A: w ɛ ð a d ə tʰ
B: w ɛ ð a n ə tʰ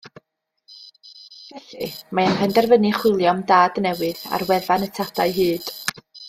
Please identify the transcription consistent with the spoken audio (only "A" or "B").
B